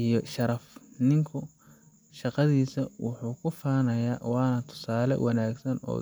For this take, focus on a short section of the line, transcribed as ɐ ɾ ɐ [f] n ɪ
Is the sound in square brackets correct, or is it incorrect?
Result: correct